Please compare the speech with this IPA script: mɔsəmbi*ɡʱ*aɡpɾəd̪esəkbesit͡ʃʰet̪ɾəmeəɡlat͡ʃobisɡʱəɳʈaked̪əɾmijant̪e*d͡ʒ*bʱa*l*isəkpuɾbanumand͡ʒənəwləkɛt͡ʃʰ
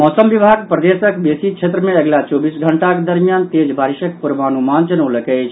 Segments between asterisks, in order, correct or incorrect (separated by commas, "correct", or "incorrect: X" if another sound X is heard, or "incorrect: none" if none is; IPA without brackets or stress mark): incorrect: bʱ, correct, incorrect: ɾ